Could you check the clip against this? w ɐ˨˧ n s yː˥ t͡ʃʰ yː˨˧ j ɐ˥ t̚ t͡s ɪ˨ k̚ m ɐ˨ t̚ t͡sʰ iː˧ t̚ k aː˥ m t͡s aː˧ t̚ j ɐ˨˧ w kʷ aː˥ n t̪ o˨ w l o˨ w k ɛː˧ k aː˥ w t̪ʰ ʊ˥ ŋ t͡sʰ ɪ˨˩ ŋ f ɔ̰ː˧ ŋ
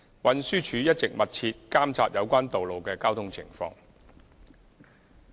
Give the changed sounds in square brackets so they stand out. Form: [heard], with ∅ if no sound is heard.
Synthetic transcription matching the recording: w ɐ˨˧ n s yː˥ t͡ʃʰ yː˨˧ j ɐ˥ t̚ t͡s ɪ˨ k̚ m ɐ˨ t̚ t͡sʰ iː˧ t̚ k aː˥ m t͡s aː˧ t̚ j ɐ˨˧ w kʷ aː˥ n t̪ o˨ w l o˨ w k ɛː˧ k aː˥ w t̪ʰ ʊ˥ ŋ t͡sʰ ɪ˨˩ ŋ f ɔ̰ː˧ ŋ